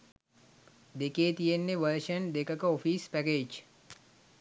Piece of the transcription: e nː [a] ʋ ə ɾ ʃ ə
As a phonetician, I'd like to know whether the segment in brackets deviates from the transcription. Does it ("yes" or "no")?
yes